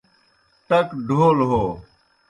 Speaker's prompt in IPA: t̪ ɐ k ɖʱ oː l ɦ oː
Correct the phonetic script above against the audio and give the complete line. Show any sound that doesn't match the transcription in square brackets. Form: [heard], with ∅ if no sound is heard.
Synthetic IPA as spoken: t̪ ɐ k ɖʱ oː l ɦ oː